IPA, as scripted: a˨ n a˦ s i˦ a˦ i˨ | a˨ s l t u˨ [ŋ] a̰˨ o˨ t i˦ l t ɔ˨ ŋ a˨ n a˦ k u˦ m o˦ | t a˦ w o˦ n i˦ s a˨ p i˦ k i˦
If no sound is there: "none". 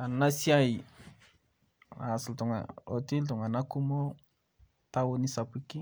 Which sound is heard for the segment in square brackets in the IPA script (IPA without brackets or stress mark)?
ŋ